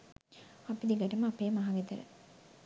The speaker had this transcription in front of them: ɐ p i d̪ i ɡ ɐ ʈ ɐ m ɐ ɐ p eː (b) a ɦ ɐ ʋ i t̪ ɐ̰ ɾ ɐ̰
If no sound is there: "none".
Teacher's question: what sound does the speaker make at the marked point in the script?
m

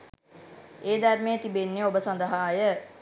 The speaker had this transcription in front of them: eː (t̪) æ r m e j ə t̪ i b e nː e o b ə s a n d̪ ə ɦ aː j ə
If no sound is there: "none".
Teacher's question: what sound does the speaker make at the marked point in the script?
d̪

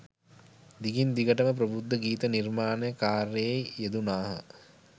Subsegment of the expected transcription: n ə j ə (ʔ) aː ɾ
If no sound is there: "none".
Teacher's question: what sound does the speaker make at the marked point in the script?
k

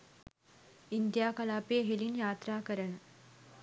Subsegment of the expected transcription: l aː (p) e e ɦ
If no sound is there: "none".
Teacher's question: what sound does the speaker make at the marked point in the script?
p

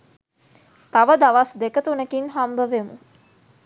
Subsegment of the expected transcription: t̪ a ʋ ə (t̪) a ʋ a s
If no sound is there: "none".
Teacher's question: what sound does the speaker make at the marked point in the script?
d̪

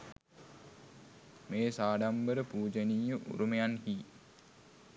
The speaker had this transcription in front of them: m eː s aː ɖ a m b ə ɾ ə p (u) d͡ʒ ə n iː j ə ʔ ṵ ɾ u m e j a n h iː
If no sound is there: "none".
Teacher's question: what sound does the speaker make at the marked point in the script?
uː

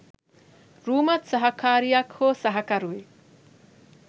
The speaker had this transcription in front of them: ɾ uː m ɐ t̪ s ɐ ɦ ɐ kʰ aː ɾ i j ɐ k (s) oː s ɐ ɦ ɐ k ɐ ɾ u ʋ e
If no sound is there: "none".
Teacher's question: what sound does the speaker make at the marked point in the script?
h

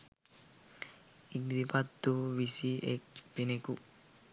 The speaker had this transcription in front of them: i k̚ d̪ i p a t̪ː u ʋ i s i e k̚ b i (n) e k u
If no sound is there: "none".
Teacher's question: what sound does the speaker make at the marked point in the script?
n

